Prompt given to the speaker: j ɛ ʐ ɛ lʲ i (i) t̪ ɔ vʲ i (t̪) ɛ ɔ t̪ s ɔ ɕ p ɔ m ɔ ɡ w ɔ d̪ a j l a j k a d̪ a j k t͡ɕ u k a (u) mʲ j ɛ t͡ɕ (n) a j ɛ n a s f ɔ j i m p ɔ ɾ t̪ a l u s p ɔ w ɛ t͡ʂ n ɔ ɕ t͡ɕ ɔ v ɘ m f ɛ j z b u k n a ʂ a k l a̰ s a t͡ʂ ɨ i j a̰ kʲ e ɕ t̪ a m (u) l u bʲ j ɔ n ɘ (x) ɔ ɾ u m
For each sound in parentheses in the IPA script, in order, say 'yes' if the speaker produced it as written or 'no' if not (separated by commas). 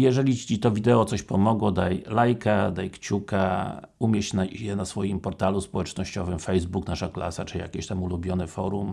yes, no, yes, yes, yes, no